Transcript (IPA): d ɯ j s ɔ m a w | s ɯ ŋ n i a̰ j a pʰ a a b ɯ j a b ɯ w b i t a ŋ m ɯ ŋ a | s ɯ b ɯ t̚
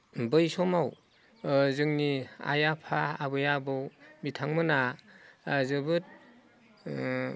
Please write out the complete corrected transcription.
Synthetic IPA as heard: b ɯ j s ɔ m a w | z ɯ ŋ n i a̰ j a pʰ a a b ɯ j a b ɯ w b i tʰ a ŋ m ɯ n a | z ɯ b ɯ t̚

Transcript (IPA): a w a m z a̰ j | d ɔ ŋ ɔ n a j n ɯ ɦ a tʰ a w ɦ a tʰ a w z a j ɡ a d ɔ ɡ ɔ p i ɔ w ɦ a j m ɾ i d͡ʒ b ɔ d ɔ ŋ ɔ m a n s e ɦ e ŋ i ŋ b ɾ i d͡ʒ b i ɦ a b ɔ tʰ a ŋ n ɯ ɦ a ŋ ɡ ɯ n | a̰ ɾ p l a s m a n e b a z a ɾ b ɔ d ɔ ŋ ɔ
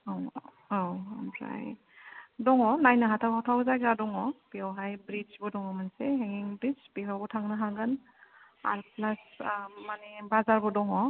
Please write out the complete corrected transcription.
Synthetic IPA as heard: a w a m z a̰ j | d ɔ ŋ ɔ n a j n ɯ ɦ a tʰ a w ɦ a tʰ a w z a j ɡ a d ɔ ŋ ɔ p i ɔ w ɦ a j b ɾ i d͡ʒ b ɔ d ɔ ŋ ɔ m a n s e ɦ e ŋ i ŋ b ɾ i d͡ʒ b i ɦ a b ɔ tʰ a ŋ n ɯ ɦ a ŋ ɡ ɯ n | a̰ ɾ p l a s m a n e b a z a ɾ b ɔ d ɔ ŋ ɔ

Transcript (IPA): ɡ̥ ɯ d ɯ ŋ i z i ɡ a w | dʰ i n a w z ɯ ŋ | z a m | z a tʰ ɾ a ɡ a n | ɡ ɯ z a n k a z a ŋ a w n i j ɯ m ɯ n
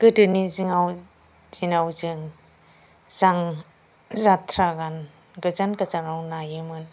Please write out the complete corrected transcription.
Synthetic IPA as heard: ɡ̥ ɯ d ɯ n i z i ŋ a w | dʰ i n a w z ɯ ŋ | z a ŋ | z a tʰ ɾ a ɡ a n | ɡ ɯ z a n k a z a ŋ a w n a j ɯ m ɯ n

